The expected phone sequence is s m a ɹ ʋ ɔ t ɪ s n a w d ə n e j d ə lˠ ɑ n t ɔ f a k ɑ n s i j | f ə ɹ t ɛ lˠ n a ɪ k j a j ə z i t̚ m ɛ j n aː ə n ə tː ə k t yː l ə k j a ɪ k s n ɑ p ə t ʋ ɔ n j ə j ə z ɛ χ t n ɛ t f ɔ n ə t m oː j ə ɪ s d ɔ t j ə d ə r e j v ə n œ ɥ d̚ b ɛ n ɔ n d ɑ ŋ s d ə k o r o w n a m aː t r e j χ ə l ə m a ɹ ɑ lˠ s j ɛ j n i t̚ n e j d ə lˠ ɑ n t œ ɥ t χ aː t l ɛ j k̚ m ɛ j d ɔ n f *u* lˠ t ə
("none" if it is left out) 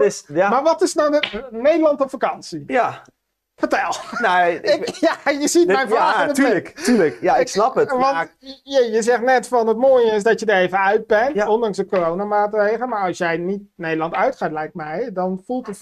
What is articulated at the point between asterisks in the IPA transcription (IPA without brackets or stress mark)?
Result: u